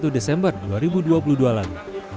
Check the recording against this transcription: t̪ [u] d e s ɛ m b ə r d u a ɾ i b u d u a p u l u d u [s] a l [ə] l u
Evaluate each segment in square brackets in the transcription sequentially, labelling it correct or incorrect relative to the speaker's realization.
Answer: correct, incorrect: none, incorrect: a

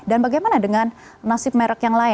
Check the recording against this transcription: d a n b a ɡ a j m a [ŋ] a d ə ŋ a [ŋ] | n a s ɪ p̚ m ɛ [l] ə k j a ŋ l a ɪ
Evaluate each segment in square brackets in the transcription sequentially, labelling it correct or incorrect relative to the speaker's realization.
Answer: incorrect: n, incorrect: n, incorrect: ɾ

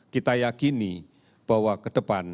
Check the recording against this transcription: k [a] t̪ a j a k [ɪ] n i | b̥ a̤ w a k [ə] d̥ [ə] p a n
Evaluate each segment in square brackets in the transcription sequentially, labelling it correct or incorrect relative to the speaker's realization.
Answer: incorrect: i, incorrect: i, correct, correct

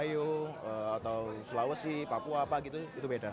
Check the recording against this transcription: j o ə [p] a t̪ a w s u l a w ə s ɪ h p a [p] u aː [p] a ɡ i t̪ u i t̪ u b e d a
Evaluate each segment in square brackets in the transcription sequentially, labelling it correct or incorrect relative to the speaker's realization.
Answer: incorrect: none, correct, correct

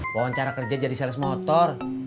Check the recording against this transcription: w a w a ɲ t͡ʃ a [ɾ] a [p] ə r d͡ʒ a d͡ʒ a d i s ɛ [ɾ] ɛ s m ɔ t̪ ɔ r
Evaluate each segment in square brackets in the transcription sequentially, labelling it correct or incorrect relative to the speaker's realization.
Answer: correct, incorrect: k, incorrect: l

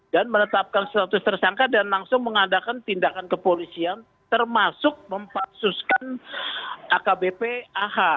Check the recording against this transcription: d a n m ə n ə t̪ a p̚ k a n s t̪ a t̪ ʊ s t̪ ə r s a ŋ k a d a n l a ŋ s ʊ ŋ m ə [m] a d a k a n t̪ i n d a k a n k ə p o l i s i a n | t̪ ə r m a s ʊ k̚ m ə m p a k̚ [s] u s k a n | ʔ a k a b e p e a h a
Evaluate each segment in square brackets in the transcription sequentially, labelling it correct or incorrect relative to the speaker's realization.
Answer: incorrect: ŋ, correct

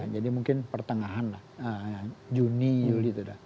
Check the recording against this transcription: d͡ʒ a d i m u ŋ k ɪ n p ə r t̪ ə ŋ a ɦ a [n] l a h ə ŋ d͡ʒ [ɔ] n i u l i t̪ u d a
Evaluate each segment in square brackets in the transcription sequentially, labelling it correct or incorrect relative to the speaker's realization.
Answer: correct, incorrect: u

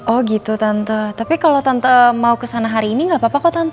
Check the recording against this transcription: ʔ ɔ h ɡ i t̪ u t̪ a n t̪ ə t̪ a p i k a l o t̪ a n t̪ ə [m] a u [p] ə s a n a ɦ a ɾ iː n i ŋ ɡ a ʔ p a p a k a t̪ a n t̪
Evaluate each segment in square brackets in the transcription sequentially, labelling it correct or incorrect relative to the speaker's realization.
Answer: correct, incorrect: k

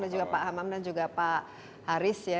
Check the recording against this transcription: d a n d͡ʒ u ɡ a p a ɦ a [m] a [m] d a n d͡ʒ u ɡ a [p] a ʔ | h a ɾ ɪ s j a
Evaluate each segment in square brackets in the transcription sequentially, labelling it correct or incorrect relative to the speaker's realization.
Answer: correct, correct, correct

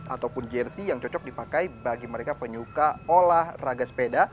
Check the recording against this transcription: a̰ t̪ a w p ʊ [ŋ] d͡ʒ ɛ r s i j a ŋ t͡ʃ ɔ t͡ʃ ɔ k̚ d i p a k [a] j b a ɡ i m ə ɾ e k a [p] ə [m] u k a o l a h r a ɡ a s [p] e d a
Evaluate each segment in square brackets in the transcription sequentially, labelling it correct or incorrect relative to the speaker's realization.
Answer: incorrect: n, correct, correct, incorrect: ɲ, correct

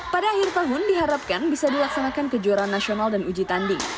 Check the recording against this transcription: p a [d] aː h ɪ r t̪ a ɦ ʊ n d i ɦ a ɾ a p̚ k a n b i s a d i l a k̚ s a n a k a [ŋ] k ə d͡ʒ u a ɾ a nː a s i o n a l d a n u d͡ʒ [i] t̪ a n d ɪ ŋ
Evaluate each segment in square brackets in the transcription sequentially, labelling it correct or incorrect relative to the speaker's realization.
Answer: correct, incorrect: n, correct

